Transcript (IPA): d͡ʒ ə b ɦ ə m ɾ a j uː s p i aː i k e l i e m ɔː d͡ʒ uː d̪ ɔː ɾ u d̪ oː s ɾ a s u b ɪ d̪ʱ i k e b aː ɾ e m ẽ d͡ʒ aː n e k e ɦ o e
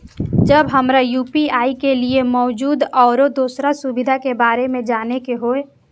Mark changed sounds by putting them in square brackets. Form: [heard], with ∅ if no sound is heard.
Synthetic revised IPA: d͡ʒ ə b ɦ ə m ɾ a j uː [∅] p i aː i k e l i e m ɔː d͡ʒ uː d̪ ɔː ɾ [o] d̪ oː s ɾ a s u b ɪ d̪ʱ [a] k e b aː ɾ e m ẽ d͡ʒ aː n e k e ɦ o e